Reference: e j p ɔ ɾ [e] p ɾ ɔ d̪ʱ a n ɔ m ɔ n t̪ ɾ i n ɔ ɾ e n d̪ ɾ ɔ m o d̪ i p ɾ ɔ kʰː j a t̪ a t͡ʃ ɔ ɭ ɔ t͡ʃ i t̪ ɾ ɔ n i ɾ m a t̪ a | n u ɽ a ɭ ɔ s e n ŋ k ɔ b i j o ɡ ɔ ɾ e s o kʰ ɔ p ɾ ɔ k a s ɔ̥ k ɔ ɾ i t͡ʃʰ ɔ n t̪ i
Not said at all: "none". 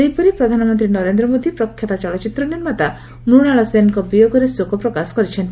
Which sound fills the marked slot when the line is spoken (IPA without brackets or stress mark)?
i